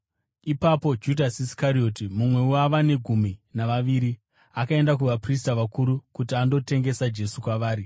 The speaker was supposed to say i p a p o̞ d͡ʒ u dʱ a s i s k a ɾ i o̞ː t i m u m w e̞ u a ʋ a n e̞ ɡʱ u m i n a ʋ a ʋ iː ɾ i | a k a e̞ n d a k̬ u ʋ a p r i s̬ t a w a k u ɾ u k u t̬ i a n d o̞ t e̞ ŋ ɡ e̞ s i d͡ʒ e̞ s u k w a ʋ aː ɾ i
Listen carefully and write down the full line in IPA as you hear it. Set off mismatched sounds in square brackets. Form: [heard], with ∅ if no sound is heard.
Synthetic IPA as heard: i p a p o̞ d͡ʒ u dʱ a s i s k a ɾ i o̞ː t i m u m w e̞ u a ʋ a n e̞ ɡʱ u m i n a ʋ a ʋ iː ɾ i | a k a e̞ n d a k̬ u ʋ a p r i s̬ t a [ʋ] a k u ɾ u k u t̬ i a n d o̞ t e̞ ŋ ɡ e̞ s [a] d͡ʒ e̞ s u k w a ʋ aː ɾ i